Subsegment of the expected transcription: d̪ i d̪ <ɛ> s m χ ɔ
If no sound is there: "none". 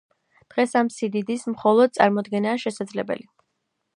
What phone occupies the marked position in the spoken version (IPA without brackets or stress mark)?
i